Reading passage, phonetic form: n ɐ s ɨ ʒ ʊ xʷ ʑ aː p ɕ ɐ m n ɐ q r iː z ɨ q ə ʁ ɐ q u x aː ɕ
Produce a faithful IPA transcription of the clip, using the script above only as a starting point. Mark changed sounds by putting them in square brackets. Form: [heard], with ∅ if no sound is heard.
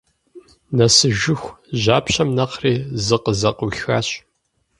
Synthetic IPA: n ɐ s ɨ ʒ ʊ xʷ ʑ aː p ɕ ɐ m n ɐ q r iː z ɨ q ə [z] ɐ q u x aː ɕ

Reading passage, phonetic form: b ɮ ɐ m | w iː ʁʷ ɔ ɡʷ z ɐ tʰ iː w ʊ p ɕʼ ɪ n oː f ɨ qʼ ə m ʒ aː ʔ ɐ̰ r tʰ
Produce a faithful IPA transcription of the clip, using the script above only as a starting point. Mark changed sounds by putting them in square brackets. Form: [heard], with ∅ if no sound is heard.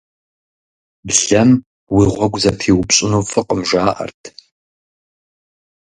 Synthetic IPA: b ɮ ɐ m | w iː ʁʷ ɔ ɡʷ z ɐ tʰ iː w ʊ p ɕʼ ɪ n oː f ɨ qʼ ə m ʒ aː ʔ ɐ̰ r tʰ

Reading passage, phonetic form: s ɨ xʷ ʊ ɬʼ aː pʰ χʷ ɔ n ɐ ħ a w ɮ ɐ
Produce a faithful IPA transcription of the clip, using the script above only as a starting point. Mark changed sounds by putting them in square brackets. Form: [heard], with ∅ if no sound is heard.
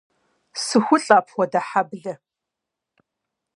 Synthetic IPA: s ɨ xʷ ʊ ɬʼ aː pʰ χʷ ɔ [d] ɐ ħ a [b] ɮ ɐ

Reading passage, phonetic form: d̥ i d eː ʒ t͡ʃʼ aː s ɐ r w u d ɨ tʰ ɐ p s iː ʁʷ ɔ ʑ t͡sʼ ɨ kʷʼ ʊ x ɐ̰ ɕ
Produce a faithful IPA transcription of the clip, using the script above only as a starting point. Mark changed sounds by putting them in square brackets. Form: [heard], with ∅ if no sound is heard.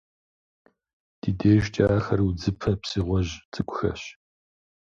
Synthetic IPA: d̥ i d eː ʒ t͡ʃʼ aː [x] ɐ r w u [d͡z] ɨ [pʰ] ɐ p s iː ʁʷ ɔ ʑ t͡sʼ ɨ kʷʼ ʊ x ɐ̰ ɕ

